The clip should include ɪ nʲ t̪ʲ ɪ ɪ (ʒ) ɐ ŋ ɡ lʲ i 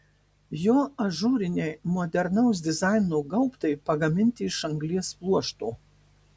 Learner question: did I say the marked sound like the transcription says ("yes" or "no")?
no